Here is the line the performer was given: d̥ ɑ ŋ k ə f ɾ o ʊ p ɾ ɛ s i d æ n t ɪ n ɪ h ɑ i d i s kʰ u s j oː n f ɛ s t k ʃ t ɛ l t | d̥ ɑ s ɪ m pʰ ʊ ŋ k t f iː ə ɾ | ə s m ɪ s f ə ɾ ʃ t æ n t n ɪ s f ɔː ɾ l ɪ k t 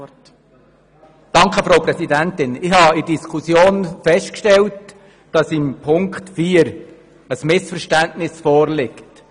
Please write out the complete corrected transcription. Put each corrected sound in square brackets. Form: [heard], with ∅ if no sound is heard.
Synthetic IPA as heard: d̥ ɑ ŋ k ə f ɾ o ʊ p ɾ ɛ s i d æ n t ɪ n ɪ h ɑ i d i s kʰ u s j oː n f ɛ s t k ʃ t ɛ l t | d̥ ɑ s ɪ m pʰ ʊ ŋ k t f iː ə ɾ | ə s m ɪ s f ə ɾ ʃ t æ n t n ɪ s f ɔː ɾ l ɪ k t